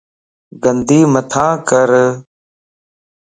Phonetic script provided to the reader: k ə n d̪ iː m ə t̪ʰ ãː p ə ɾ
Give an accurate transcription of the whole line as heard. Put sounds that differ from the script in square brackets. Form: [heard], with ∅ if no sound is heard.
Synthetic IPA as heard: [ɡ] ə n d̪ iː m ə t̪ʰ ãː [k] ə ɾ